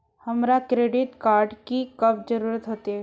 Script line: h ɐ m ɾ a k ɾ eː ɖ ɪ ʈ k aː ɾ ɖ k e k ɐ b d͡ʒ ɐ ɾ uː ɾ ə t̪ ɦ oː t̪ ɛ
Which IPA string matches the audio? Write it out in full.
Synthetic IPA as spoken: h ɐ m ɾ a k ɾ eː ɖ ɪ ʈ k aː ɾ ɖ k i k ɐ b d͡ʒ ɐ ɾ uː ɾ ə t̪ ɦ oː t̪ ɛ